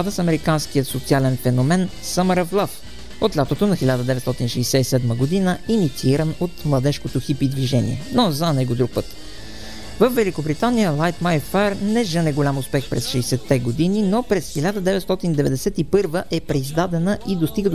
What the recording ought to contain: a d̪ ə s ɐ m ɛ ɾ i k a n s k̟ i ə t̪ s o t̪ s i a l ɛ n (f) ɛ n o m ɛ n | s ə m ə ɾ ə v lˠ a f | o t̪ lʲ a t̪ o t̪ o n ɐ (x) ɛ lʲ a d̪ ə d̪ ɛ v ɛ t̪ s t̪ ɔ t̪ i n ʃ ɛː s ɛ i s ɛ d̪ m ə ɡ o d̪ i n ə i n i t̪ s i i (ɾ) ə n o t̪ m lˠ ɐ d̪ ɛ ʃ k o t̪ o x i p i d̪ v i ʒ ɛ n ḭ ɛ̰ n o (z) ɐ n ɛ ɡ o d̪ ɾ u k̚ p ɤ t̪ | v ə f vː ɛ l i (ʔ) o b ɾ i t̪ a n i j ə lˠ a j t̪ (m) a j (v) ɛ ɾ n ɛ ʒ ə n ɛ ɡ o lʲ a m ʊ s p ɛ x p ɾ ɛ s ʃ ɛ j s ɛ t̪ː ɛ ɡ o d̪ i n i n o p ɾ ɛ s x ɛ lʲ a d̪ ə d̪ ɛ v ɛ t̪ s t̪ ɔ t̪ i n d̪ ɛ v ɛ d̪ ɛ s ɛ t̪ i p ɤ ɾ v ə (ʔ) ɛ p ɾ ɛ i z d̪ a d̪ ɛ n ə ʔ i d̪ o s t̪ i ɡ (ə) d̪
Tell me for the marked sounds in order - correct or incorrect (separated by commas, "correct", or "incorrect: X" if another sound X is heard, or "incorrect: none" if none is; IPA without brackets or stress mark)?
correct, correct, correct, correct, incorrect: k, correct, incorrect: f, correct, correct